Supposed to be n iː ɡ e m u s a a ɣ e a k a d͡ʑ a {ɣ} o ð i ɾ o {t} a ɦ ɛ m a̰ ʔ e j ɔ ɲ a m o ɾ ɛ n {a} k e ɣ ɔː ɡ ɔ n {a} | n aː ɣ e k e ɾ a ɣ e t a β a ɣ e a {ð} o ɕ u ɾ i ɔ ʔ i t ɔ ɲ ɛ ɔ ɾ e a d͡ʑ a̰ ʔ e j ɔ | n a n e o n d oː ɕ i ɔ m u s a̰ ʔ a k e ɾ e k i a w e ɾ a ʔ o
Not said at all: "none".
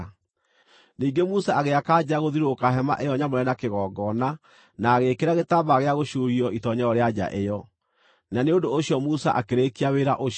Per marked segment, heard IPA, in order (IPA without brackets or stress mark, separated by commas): ɣ, k, a, a, ɣ